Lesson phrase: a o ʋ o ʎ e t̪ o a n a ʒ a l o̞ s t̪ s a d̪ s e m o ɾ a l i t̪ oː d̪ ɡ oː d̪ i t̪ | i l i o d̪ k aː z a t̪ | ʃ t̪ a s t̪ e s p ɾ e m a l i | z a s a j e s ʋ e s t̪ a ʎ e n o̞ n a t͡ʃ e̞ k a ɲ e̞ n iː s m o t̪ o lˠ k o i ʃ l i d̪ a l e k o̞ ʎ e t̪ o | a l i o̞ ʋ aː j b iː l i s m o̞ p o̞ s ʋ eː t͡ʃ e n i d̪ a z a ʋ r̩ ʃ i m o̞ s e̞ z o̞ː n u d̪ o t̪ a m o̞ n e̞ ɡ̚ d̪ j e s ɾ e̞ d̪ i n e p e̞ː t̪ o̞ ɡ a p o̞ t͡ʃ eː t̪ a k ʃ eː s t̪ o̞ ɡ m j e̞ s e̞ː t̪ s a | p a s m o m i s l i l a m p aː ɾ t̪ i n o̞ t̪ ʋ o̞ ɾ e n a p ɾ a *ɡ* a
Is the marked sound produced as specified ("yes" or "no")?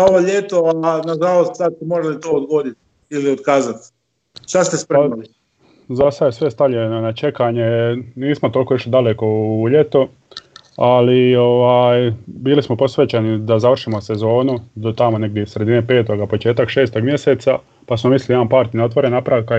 no